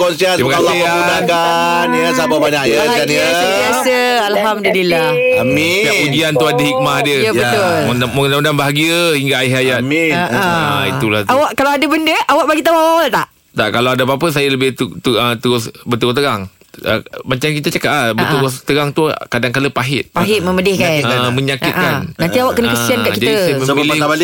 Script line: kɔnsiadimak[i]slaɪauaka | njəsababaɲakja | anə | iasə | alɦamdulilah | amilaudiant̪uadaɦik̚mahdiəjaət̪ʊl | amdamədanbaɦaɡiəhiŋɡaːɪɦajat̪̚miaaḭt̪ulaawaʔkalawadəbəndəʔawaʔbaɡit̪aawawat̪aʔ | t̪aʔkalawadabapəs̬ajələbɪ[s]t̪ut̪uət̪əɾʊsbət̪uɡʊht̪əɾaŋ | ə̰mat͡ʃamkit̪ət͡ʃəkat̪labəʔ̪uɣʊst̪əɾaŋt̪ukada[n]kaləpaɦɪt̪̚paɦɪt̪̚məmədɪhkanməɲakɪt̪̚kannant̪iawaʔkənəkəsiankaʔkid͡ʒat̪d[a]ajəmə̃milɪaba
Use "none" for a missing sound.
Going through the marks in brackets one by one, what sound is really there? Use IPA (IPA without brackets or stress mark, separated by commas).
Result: a, h, ŋ, i